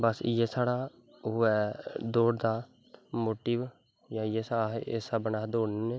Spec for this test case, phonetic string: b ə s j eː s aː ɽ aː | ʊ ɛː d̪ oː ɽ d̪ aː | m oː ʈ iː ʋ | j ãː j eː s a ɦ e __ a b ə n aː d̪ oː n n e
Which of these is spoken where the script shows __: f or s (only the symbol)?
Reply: s